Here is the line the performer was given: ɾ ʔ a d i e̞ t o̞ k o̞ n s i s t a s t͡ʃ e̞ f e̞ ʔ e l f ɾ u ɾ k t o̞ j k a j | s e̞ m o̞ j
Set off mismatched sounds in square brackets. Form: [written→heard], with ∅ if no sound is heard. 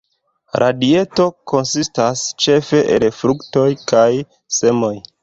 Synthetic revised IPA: ɾ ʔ a d i e̞ t o̞ k o̞ n s i s t a s t͡ʃ e̞ f e̞ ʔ e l f ɾ u [ɾ→∅] k t o̞ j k a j | s e̞ m o̞ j